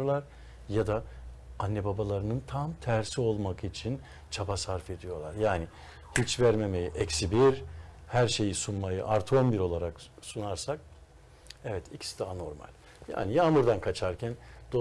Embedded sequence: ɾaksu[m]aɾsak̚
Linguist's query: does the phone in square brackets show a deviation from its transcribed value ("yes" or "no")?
yes